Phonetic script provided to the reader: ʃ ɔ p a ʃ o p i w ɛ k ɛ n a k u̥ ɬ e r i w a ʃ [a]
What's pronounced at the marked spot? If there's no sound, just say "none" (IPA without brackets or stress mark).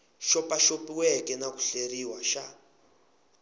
a